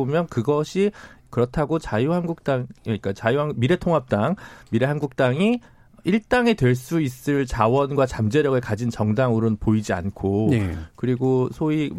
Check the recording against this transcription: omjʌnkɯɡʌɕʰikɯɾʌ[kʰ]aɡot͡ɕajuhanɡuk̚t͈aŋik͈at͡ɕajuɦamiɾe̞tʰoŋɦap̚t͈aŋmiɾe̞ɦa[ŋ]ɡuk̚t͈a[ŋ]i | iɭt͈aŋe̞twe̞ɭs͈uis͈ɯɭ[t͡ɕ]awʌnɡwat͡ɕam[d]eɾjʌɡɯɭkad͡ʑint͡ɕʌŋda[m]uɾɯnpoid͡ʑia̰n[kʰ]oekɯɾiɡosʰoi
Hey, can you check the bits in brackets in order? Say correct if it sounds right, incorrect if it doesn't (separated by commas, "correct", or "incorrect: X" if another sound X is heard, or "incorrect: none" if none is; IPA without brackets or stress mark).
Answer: incorrect: tʰ, incorrect: n, correct, correct, incorrect: d͡ʑ, incorrect: ŋ, correct